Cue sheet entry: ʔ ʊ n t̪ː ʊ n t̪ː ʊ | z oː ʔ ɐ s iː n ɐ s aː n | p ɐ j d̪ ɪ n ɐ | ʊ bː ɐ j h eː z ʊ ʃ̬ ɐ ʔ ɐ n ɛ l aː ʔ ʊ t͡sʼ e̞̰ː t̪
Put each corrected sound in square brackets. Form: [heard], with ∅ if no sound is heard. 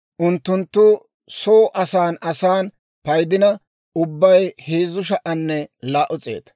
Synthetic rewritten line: ʔ ʊ n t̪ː ʊ n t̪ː ʊ | [s] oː ʔ ɐ s [aː] n ɐ s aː n | p ɐ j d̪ ɪ n ɐ | ʊ bː ɐ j h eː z ʊ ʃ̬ ɐ ʔ ɐ [nː] ɛ l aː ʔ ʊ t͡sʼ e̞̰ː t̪